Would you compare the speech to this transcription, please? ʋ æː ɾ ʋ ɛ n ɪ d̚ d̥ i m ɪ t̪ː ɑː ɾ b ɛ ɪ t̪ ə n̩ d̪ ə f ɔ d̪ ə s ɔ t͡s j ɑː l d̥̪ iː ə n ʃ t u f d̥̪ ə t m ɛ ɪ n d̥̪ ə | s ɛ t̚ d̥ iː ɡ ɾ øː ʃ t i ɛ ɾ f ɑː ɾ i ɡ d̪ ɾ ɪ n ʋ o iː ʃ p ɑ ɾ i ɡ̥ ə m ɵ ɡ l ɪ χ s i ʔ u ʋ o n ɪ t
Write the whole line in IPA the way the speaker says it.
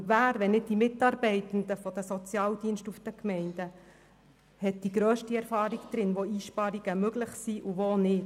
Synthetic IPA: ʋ æː ɾ ʋ ɛ n ɪ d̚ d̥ i m ɪ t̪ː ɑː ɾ b ɛ ɪ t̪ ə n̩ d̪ ə f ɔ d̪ ə s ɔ t͡s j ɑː l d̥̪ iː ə n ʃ t u f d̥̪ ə k m ɛ ɪ n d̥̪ ə | h ɛ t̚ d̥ i ɡ ɾ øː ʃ t i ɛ ɾ f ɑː ɾ i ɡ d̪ ɾ ɪ n ʋ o iː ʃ p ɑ ɾ i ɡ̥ ə m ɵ ɡ l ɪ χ s i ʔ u ʋ o n ɪ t

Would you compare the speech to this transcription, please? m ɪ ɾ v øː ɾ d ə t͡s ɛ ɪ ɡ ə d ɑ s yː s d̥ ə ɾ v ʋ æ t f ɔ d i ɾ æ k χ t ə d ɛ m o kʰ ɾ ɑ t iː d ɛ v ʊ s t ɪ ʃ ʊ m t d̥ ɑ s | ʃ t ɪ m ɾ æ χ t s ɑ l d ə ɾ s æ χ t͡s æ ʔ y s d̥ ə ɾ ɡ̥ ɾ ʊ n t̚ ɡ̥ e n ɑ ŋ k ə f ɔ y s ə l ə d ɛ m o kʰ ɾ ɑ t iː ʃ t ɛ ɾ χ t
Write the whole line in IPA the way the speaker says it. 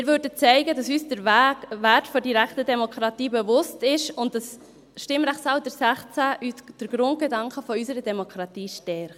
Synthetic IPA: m ɪ ɾ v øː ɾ d ə t͡s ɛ ɪ ɡ ə d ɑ s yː s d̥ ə ɾ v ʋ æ t f ɔ d i ɾ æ k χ t ə d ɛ m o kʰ ɾ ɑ t iː b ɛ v ʊ s t ɪ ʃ ʊ n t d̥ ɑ s | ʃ t ɪ m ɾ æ χ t s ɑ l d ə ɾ s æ χ t͡s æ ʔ y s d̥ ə ɾ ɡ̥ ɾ ʊ n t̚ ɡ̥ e d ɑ ŋ k ə f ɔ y s ə ɾ ə d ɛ m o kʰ ɾ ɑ t iː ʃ t ɛ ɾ χ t

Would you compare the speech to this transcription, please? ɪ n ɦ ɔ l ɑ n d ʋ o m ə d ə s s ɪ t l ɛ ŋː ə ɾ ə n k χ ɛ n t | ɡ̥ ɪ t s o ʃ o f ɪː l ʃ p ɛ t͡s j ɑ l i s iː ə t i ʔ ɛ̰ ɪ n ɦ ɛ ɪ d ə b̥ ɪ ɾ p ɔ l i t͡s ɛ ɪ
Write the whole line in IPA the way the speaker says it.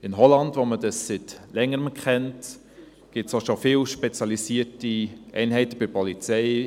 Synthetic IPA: ɪ n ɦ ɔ l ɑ n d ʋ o m ə d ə s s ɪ t l ɛ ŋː ə ɾ ə m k χ ɛ n t | ɡ̥ ɪ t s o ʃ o f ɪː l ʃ p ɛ t͡s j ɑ l i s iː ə t i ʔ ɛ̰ ɪ n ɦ ɛ ɪ t ə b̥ ɪ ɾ p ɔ l i t͡s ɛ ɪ

